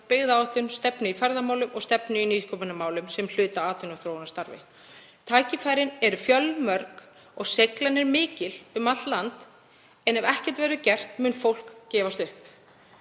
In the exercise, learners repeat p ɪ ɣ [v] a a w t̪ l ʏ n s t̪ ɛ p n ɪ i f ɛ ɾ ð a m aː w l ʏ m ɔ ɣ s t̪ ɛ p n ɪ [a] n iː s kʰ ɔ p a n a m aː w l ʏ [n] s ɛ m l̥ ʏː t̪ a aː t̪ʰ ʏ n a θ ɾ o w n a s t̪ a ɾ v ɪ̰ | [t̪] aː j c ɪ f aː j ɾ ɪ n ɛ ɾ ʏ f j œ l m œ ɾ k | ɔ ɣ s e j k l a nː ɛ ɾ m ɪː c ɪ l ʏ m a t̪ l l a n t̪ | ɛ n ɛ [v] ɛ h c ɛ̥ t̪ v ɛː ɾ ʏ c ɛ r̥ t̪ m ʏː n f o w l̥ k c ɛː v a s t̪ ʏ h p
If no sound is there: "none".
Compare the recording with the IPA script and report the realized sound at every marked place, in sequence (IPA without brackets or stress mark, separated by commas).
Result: ð, i, m, t̪ʰ, v